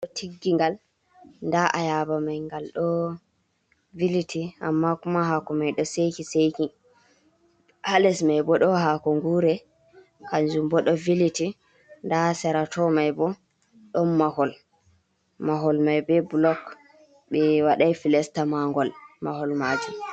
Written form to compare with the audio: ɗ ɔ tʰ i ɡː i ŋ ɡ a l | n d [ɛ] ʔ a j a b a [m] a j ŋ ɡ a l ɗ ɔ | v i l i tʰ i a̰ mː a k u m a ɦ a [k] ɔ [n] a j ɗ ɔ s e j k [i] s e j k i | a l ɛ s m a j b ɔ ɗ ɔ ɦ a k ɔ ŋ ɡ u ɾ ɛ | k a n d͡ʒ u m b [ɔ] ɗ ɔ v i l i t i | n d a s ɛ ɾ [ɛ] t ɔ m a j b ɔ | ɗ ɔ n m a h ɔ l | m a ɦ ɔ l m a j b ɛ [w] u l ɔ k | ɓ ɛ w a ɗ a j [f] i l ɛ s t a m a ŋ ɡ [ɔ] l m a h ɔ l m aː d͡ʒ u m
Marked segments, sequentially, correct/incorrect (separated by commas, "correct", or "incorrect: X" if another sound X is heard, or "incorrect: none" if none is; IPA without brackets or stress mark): incorrect: a, correct, correct, incorrect: m, correct, correct, incorrect: a, incorrect: b, correct, correct